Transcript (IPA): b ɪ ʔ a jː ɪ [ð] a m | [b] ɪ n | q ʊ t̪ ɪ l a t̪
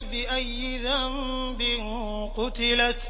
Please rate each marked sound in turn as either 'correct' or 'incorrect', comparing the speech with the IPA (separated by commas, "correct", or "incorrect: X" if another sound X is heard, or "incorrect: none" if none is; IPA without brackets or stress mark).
correct, correct